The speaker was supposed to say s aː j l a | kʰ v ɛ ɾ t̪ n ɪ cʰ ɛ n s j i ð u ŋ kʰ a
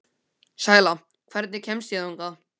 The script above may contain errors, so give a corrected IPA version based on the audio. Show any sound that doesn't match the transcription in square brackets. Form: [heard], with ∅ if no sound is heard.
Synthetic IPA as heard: s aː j l a | kʰ v ɛ ɾ t̪ n ɪ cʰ ɛ [m] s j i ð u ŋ [k] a